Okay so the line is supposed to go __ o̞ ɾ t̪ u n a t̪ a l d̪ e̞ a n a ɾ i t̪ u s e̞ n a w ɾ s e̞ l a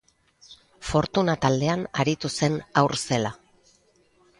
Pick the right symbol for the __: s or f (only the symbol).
f